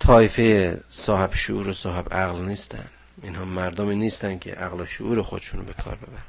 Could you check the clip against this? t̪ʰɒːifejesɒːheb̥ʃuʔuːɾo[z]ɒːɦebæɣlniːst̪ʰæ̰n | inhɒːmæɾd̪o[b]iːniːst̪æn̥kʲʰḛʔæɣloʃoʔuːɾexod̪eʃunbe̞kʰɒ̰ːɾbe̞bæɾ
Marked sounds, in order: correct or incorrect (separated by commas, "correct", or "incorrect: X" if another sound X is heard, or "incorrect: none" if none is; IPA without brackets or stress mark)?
incorrect: s, incorrect: m